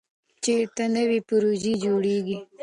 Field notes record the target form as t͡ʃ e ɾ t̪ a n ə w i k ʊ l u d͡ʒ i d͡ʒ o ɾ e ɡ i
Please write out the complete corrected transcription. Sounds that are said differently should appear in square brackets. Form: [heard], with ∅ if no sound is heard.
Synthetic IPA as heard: t͡ʃ e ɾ t̪ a n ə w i [p] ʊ [ɾ] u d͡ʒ i d͡ʒ o [ɽ] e ɡ i